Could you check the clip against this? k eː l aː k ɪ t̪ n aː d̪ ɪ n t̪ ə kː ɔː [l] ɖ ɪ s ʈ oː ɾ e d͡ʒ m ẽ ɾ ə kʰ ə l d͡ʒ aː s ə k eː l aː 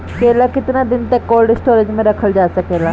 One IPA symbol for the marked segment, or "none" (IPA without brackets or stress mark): l